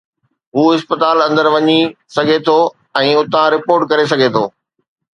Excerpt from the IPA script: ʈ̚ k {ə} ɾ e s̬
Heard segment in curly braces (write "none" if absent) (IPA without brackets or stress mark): ɐ